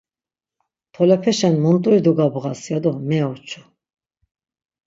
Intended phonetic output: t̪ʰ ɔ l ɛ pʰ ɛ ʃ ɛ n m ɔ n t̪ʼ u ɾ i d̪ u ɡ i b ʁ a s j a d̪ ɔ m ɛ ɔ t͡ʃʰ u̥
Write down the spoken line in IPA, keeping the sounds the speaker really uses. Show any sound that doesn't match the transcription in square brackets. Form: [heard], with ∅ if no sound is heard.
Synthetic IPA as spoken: t̪ʰ ɔ l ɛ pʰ ɛ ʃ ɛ n m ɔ n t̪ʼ u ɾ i d̪ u ɡ [a] b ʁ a s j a d̪ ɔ m ɛ ɔ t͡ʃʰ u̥